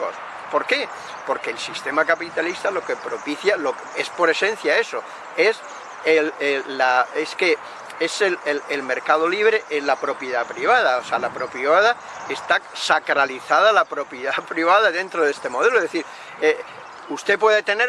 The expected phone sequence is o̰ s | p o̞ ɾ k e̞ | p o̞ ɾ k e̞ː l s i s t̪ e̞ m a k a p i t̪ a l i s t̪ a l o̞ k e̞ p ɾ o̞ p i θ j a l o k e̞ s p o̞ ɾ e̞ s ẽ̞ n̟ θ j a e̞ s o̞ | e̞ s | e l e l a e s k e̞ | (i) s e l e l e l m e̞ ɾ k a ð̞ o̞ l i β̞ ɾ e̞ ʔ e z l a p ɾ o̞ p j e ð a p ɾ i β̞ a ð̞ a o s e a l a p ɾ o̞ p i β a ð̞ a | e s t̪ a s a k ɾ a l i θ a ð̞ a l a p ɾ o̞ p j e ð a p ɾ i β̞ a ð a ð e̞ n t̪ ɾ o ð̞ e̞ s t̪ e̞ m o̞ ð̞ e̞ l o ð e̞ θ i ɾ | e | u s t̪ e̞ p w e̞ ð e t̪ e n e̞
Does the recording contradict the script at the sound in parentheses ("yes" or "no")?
yes